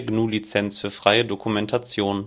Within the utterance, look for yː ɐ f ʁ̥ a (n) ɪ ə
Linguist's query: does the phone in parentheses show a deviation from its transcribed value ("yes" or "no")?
yes